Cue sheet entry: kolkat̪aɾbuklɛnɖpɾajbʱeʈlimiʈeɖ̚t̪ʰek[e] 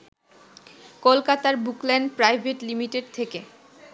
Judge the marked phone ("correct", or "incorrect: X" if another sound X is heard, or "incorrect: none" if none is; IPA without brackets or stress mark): correct